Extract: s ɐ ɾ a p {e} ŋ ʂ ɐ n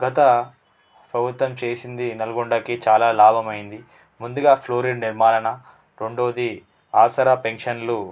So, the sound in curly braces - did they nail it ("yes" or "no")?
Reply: yes